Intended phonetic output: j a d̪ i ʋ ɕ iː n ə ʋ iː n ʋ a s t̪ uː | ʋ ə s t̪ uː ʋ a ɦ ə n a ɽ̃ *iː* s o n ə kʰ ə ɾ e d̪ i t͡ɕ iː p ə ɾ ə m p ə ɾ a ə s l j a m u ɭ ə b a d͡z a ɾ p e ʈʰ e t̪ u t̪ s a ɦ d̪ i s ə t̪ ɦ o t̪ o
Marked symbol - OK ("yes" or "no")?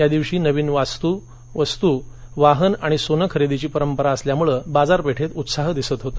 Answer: no